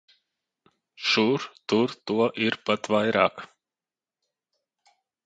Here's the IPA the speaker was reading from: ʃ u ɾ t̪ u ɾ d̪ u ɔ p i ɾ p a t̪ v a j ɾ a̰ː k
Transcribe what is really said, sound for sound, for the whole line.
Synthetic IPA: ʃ u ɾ t̪ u ɾ t̪ u ɔ ʔ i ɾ p a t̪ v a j ɾ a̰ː k